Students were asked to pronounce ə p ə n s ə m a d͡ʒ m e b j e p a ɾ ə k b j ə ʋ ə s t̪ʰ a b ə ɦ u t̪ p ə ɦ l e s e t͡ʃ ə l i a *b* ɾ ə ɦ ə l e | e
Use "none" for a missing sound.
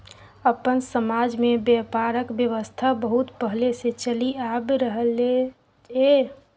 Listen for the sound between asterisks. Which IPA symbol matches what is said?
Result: b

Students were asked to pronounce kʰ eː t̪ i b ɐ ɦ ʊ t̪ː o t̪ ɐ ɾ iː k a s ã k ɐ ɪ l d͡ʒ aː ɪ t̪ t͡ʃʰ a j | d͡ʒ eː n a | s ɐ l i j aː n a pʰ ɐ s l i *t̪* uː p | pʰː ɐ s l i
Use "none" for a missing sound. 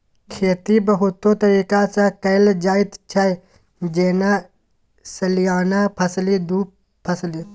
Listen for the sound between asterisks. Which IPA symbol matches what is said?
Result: d̪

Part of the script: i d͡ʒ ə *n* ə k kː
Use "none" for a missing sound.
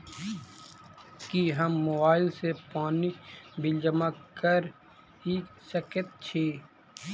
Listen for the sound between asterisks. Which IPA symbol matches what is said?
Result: m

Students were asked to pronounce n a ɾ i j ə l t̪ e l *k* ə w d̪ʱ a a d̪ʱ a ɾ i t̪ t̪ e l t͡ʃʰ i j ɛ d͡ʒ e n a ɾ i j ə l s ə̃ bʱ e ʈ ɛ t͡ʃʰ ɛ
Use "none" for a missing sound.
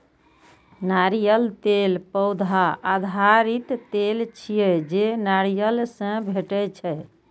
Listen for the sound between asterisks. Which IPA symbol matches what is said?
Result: p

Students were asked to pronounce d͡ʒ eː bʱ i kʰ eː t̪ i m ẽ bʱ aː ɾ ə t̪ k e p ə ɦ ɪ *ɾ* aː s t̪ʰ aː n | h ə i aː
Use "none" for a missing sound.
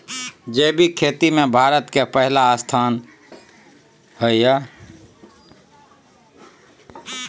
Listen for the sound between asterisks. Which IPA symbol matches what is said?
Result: l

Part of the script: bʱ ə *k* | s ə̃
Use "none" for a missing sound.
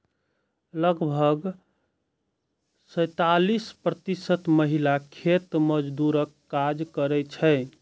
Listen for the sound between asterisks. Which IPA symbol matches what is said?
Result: ɡ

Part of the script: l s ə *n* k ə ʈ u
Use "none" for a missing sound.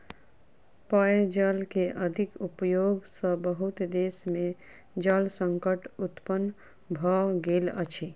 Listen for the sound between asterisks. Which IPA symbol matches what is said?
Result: ŋ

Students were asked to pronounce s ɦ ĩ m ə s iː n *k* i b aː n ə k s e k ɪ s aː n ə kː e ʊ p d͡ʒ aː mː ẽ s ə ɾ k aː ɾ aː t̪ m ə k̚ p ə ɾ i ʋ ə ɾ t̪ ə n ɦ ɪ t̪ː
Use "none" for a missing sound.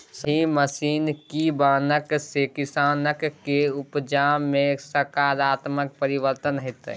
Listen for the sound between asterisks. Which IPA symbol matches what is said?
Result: k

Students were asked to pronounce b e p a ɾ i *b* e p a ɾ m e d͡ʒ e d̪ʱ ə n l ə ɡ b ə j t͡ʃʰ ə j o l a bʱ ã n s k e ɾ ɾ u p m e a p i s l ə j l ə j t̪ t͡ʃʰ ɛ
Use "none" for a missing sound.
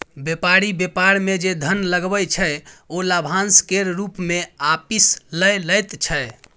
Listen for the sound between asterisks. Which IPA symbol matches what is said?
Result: b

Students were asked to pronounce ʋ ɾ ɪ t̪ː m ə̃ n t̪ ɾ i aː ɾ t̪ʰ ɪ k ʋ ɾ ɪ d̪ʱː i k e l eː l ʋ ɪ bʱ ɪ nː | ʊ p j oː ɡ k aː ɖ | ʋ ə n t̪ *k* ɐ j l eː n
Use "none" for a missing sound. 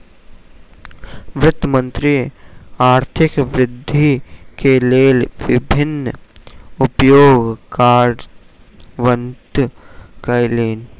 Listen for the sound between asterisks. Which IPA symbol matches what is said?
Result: k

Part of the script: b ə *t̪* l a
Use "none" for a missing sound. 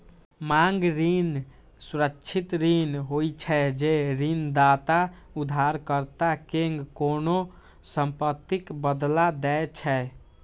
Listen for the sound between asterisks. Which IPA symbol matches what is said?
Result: d̪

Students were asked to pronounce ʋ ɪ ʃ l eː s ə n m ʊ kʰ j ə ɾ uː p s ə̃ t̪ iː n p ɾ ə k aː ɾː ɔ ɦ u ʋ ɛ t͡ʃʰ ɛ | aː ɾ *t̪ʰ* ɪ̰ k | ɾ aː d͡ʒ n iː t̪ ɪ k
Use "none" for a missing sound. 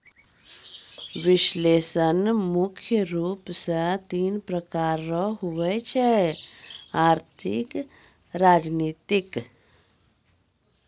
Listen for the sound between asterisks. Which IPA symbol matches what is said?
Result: t̪ʰ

